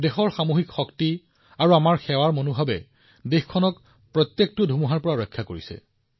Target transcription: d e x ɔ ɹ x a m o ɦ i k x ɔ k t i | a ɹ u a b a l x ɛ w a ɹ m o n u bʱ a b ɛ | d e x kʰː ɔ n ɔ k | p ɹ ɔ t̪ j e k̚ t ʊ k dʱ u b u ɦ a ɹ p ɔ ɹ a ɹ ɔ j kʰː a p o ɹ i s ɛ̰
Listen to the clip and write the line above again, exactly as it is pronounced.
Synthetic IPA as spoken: d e x ɔ ɹ x a m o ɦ i k x ɔ k t i | a ɹ u a m a ɹ x ɛ w a ɹ m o n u bʱ a b ɛ | d e x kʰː ɔ n ɔ k | p ɹ ɔ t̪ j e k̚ t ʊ dʱ u m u ɦ a ɹ p ɔ ɹ a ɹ ɔ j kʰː a k o ɹ i s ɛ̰